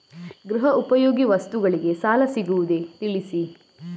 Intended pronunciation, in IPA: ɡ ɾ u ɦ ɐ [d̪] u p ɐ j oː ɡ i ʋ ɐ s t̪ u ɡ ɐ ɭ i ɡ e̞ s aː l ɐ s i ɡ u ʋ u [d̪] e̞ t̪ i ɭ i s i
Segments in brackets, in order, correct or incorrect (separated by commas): incorrect, correct